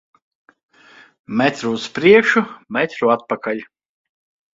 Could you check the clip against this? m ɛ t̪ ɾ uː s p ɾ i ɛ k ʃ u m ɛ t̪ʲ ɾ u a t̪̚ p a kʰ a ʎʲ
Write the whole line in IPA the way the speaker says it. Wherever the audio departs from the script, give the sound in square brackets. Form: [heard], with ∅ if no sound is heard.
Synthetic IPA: m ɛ t̪ ɾ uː s p ɾ i ɛ k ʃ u m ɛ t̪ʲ ɾ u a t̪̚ p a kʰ a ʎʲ